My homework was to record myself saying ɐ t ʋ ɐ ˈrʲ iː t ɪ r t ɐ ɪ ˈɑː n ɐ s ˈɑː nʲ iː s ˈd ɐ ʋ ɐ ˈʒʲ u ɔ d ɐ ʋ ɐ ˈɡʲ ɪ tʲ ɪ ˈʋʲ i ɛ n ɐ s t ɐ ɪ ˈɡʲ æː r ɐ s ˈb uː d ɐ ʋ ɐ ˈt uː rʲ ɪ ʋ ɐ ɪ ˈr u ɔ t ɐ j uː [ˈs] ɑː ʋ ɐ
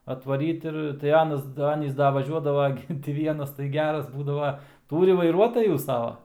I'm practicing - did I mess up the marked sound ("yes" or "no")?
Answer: no